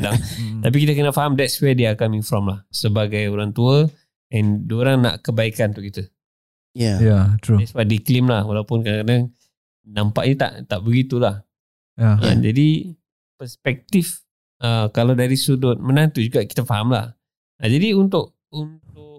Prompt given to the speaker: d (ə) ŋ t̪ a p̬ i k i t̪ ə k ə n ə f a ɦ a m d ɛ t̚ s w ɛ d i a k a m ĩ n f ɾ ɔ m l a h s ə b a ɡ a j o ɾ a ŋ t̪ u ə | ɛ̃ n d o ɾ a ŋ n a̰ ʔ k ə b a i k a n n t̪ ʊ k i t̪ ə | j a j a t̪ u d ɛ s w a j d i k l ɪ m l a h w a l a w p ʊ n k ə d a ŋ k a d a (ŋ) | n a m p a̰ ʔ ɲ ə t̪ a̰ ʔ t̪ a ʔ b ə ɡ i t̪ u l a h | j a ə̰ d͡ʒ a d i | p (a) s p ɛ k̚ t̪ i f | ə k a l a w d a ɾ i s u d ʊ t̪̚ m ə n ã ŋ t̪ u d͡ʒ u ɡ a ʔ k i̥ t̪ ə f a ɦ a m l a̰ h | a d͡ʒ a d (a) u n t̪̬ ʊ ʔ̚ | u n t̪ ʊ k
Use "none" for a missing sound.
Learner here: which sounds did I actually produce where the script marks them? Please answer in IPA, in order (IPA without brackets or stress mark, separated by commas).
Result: a, ŋ, ə, i